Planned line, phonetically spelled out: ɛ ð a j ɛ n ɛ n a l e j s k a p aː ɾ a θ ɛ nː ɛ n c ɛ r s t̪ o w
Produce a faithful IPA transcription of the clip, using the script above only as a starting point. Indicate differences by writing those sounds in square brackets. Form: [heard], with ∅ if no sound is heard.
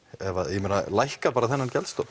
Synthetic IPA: ɛ [v] a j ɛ [m] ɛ n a l [a] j [h] k a p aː ɾ a θ ɛ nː [a] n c ɛ [l] s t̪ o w